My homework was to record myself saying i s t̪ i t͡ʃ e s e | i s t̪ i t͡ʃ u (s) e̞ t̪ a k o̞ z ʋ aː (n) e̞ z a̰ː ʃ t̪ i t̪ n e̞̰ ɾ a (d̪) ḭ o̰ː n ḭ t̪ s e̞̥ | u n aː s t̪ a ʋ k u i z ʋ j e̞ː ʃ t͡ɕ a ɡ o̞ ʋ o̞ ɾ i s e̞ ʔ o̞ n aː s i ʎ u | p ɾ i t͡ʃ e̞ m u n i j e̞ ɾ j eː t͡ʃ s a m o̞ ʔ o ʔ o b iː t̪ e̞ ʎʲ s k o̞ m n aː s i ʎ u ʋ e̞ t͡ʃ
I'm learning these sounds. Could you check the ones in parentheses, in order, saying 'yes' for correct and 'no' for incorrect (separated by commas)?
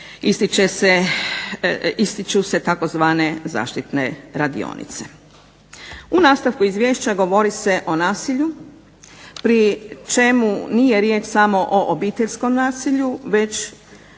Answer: yes, yes, yes